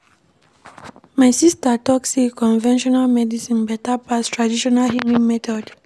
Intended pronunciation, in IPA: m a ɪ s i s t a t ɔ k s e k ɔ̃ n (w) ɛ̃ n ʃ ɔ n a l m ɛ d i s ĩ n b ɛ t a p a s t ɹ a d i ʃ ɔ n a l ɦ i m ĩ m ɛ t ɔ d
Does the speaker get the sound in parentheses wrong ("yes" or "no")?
yes